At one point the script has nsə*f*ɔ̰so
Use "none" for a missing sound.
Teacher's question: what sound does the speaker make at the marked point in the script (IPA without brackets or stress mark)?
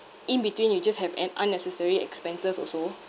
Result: s